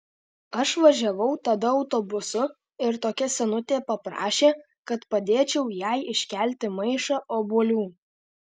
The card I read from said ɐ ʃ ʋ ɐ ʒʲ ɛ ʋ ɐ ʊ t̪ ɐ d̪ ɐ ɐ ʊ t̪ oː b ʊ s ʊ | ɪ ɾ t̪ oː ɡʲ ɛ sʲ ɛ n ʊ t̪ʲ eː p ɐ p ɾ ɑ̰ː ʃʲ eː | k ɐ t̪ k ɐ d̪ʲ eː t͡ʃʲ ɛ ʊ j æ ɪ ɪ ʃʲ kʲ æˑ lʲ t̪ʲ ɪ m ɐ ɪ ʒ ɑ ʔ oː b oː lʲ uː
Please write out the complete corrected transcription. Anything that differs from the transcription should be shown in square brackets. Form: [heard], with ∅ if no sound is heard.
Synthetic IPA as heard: ɐ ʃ ʋ ɐ ʒʲ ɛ ʋ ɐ ʊ t̪ ɐ d̪ ɐ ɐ ʊ t̪ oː b ʊ s ʊ | ɪ ɾ t̪ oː [kʲ] ɛ sʲ ɛ n ʊ t̪ʲ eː p ɐ p ɾ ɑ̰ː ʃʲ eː | k ɐ t̪ [p] ɐ d̪ʲ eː t͡ʃʲ ɛ ʊ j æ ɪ ɪ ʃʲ kʲ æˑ lʲ t̪ʲ ɪ m ɐ ɪ [ʃ] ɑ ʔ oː b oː lʲ uː